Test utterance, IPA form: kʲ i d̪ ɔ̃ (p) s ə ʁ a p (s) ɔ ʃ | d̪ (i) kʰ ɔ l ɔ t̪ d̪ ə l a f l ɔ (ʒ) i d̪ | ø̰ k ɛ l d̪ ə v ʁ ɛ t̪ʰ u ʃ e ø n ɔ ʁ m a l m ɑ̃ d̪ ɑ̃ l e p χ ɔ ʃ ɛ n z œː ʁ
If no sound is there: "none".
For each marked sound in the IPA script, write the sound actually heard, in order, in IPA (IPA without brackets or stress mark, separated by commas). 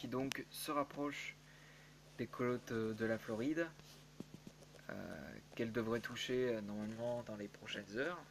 k, χ, e, ʁ